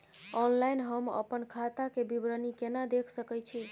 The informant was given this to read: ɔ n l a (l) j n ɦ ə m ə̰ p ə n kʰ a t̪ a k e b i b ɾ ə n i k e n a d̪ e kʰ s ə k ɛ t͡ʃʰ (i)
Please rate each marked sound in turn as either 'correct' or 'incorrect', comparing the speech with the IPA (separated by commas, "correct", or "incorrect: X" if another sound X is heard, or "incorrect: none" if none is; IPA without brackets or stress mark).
incorrect: none, correct